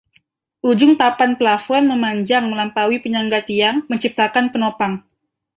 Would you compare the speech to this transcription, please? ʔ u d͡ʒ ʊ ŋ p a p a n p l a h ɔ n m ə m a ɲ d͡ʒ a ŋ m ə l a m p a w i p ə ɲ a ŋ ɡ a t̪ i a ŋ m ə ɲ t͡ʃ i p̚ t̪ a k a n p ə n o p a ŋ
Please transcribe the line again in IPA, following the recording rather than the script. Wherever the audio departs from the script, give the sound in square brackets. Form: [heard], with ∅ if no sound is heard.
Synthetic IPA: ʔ u d͡ʒ ʊ ŋ p a p a n p l a [f] ɔ n m ə m a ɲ d͡ʒ a ŋ m ə l a m p a w i p ə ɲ a ŋ ɡ a t̪ i a ŋ m ə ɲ t͡ʃ i p̚ t̪ a k a n p ə n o p a ŋ